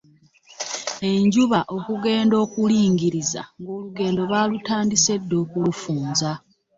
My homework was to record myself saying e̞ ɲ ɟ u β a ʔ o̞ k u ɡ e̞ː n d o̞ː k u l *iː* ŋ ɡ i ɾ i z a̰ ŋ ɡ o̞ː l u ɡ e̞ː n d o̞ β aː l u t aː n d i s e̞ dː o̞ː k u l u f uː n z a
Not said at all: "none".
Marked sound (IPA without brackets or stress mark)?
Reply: iː